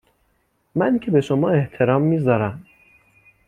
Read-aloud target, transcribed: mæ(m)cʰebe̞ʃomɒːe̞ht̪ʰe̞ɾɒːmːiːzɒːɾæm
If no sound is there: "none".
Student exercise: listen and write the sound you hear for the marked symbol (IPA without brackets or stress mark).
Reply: n